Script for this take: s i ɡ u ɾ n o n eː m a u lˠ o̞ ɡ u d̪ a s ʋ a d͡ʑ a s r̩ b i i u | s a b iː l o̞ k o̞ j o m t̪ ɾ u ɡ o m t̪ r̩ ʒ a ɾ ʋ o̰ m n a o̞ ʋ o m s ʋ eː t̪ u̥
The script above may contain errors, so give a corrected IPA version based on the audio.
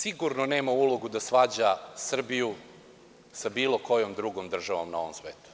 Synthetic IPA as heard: s i ɡ u ɾ n o n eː m a u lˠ o̞ ɡ u d̪ a s ʋ a d͡ʑ a s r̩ b i j u | s a b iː l o̞ k o̞ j o m d̪ ɾ u ɡ o m d̪ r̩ ʒ a ʋ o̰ m n a o̞ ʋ o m s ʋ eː t̪ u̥